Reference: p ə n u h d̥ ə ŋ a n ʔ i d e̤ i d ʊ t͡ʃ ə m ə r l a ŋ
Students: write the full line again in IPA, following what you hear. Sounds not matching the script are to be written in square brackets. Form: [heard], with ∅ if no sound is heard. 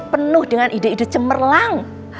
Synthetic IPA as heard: p ə n [ʊ] h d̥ ə ŋ a n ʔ i d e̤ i d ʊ t͡ʃ ə m ə r l a ŋ